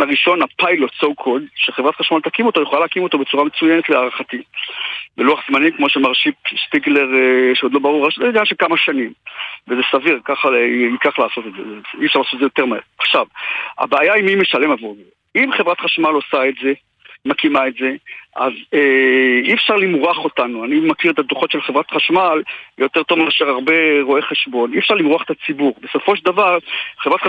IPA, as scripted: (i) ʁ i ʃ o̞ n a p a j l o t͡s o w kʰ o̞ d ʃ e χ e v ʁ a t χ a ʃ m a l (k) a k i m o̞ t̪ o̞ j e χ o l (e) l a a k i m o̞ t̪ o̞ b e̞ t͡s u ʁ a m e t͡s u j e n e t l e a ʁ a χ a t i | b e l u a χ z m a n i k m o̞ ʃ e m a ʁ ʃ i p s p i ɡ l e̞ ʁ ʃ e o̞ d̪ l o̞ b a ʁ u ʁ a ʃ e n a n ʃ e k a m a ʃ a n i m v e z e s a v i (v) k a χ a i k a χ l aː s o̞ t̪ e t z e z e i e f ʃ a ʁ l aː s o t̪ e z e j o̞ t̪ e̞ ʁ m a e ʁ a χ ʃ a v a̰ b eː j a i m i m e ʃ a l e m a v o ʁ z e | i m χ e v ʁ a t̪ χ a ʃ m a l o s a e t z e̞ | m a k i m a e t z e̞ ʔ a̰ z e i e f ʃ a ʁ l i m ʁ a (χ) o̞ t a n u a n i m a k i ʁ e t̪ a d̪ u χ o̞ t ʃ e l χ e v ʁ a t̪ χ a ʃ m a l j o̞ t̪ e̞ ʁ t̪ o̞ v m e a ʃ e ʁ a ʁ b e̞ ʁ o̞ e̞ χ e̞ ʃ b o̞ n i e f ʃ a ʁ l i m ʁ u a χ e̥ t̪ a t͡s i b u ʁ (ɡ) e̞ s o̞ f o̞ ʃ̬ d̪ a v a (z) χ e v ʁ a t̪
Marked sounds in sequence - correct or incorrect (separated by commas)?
incorrect, incorrect, incorrect, incorrect, correct, incorrect, incorrect